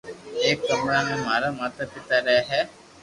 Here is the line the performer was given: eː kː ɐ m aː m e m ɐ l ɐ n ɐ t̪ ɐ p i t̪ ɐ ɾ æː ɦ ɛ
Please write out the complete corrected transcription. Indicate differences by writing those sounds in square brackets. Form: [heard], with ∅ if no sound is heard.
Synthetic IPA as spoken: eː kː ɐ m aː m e m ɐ [ɾ] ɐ [m] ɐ t̪ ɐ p i t̪ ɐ ɾ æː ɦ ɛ